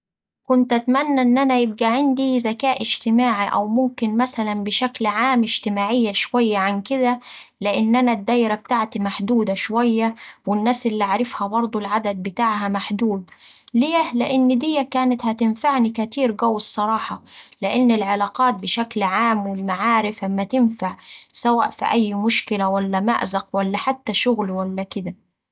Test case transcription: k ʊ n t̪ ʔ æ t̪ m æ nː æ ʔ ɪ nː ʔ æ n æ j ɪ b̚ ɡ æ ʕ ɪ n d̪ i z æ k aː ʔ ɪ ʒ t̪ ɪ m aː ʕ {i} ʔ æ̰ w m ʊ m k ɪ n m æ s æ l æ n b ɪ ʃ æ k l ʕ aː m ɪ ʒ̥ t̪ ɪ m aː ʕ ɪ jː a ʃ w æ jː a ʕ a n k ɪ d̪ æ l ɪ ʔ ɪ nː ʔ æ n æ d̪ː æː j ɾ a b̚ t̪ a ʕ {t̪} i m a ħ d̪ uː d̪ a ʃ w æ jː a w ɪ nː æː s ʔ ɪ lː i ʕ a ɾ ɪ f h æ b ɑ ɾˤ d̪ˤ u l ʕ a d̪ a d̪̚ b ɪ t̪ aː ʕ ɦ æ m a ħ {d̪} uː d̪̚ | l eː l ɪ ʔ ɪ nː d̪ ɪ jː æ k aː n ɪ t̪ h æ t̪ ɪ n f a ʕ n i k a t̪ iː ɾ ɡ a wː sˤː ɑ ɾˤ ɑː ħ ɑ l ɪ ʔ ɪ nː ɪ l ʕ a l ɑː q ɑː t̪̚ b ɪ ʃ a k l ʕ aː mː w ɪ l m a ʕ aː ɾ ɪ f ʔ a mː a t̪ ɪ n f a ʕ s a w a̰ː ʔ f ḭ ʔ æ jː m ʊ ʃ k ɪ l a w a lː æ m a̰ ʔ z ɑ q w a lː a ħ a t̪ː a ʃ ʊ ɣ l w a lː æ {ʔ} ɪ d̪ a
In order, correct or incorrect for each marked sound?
correct, correct, correct, incorrect: k

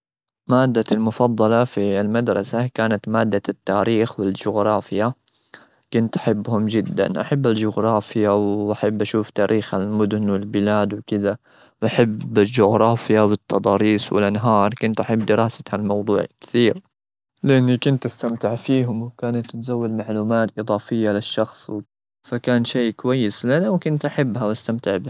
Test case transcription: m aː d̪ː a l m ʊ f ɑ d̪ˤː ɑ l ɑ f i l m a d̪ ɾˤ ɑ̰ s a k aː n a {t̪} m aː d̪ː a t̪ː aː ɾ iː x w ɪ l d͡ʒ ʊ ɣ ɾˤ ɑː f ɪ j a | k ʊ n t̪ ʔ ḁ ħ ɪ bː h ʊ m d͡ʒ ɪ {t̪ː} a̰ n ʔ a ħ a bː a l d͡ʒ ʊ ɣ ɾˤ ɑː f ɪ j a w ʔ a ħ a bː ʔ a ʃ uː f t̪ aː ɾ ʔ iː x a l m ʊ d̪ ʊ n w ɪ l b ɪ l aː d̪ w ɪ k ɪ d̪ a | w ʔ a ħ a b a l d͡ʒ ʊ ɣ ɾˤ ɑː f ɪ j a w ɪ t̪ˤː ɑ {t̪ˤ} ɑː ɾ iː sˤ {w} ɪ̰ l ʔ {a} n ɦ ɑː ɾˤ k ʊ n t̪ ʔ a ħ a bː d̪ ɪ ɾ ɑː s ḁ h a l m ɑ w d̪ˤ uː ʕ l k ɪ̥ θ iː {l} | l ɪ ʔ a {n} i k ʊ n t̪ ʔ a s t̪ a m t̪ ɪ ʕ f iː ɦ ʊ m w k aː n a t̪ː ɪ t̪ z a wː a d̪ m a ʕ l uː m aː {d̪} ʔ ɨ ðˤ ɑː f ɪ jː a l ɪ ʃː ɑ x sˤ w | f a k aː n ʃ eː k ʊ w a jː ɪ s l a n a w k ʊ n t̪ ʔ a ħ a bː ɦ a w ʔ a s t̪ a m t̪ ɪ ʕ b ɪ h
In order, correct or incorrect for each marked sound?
correct, incorrect: d̪ː, incorrect: d̪ˤ, correct, correct, incorrect: ɾ, incorrect: nː, incorrect: t̪

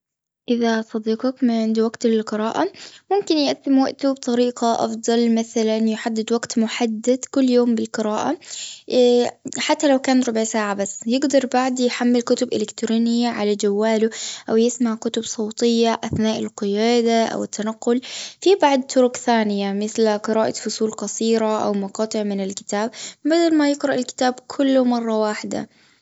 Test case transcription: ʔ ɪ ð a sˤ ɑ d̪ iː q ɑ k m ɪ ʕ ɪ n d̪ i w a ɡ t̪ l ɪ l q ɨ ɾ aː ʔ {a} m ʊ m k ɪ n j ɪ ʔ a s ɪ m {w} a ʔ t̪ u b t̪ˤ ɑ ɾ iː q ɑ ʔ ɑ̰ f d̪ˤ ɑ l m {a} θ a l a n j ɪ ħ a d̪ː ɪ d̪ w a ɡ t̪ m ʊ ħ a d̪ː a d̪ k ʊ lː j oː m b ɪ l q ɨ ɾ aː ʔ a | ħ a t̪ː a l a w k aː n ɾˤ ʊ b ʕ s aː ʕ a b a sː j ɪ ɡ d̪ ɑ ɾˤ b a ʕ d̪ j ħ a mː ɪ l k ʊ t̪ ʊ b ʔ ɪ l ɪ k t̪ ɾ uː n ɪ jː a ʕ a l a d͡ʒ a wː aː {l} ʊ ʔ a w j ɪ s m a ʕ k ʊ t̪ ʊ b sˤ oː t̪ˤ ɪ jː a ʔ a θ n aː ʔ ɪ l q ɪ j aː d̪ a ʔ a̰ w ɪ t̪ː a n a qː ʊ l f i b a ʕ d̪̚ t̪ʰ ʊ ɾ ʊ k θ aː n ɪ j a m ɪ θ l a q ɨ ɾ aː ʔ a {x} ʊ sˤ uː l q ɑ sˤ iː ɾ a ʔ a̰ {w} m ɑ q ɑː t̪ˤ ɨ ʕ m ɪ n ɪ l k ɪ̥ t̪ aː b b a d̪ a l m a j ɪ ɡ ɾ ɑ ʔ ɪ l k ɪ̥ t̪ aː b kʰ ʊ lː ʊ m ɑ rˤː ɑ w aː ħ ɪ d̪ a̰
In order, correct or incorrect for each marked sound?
correct, correct, correct, correct, incorrect: f, correct

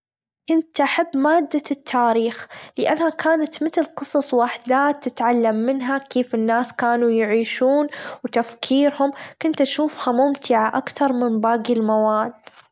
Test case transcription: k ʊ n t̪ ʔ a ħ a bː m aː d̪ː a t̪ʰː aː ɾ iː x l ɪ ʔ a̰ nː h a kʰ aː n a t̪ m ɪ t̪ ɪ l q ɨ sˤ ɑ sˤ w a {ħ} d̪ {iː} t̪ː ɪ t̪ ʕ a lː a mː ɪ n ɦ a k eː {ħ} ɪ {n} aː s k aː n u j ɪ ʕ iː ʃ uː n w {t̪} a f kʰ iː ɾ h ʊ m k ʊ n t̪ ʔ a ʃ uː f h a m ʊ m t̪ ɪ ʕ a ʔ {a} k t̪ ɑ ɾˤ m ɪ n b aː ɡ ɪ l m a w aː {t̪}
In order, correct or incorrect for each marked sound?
correct, incorrect: aː, incorrect: f, incorrect: nː, correct, correct, incorrect: d̪

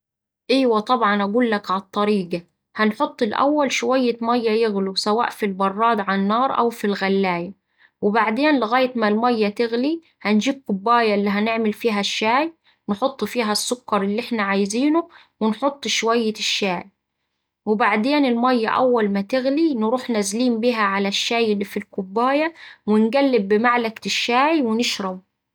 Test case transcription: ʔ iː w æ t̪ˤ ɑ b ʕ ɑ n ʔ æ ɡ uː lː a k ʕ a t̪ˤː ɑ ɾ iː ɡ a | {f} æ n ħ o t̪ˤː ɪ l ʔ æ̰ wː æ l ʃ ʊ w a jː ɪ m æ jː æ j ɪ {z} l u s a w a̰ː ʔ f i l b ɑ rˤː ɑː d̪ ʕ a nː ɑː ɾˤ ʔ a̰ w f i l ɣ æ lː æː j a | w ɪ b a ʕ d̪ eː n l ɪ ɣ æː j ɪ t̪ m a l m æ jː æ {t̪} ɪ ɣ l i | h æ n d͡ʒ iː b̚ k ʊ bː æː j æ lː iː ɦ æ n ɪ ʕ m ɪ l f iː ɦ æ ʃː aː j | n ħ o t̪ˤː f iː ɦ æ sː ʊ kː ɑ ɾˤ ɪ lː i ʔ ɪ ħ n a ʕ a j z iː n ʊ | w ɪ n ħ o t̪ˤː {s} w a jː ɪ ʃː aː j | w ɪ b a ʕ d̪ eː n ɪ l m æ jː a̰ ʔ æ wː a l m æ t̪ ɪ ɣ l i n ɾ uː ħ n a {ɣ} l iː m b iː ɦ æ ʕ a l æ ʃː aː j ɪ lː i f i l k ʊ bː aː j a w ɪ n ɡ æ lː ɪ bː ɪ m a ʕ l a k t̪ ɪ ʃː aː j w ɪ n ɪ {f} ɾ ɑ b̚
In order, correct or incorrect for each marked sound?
incorrect: h, incorrect: ɣ, correct, incorrect: ʃ, incorrect: z, incorrect: ʃ

